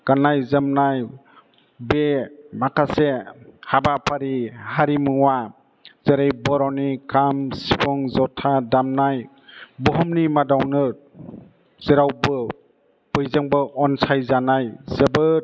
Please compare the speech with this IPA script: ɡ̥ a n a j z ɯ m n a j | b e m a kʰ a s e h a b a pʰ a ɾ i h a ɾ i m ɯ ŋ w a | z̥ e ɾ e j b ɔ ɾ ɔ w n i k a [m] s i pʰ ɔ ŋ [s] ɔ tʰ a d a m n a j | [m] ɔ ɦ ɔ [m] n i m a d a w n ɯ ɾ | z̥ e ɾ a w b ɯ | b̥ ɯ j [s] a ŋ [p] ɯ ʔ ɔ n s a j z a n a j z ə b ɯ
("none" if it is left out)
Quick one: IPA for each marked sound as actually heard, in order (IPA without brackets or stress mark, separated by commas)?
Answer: m, z, b, m, z, b